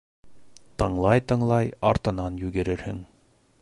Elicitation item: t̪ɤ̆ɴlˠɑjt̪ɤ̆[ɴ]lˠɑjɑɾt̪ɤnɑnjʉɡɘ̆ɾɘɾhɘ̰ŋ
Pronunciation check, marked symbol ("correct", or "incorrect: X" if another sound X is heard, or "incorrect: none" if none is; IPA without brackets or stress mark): correct